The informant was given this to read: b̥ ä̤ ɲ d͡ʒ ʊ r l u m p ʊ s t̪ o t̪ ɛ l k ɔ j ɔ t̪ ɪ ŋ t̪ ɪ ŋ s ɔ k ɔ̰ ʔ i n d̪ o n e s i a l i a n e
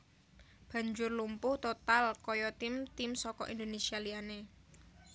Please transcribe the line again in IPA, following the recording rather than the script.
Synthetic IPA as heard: b̥ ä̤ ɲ d͡ʒ ʊ r l u m p ʊ h t̪ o t̪ a l k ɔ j ɔ t̪ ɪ m t̪ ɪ m s ɔ k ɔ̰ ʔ i n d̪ o n e s i a l i a n e